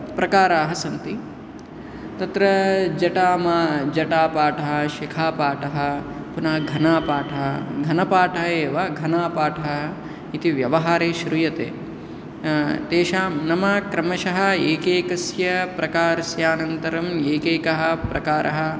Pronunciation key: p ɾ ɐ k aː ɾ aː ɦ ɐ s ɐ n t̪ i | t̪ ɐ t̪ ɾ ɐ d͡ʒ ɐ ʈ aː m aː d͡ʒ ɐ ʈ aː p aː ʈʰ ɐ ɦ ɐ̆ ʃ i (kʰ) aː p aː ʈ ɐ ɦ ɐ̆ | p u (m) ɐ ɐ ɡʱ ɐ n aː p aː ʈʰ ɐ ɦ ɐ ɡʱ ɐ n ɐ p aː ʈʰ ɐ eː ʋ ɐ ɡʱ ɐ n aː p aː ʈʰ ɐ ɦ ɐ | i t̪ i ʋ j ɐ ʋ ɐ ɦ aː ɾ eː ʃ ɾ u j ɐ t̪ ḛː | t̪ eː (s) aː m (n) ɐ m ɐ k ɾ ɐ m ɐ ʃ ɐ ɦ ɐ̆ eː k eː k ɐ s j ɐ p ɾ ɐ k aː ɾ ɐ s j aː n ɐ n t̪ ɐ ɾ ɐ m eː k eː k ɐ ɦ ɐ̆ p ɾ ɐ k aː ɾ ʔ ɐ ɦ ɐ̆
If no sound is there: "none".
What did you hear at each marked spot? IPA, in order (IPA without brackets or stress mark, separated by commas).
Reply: kʰ, n, ʃ, n